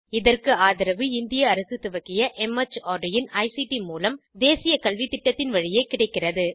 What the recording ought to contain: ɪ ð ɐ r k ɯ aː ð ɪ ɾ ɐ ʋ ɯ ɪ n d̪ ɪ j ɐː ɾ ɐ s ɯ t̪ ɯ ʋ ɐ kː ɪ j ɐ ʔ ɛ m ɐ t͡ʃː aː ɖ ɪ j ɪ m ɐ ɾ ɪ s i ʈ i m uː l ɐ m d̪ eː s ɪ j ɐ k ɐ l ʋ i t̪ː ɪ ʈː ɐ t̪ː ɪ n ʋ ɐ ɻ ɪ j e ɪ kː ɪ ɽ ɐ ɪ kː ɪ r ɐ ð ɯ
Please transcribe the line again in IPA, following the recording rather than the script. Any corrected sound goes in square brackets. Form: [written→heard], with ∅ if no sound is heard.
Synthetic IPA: ɪ ð ɐ r k ɯ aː ð ɪ ɾ ɐ ʋ ɯ ɪ n d̪ ɪ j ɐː ɾ ɐ s ɯ t̪ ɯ ʋ ɐ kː ɪ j ɐ ʔ ɛ m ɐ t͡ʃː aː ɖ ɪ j ɪ [m→n] ɐ [ɾ→∅] ɪ s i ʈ i m uː l ɐ m d̪ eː s ɪ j ɐ k ɐ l ʋ i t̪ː ɪ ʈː ɐ t̪ː ɪ n ʋ ɐ ɻ ɪ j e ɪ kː ɪ ɽ ɐ ɪ kː ɪ r ɐ ð ɯ